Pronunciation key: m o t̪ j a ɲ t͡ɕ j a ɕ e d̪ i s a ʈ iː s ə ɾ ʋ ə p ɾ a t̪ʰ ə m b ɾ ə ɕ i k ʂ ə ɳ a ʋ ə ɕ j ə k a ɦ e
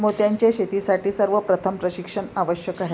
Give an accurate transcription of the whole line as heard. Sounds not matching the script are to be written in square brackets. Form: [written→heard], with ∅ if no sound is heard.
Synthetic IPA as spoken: m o t̪ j a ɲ t͡ɕ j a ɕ e [d̪→t̪] i s a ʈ iː s ə ɾ ʋ ə p ɾ [a→ə] t̪ʰ ə m [b→p] ɾ ə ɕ i k ʂ ə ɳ a ʋ ə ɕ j ə k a ɦ e

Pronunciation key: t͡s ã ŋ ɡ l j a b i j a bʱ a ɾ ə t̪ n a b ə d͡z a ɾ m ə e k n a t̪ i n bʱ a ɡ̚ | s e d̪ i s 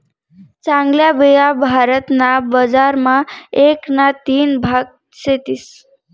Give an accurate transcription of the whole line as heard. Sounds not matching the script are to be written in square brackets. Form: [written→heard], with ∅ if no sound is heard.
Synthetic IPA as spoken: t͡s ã ŋ ɡ l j a b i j a bʱ a ɾ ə t̪ n a b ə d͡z a ɾ m [ə→a] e k n a t̪ i n bʱ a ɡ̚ | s e [d̪→t̪] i s

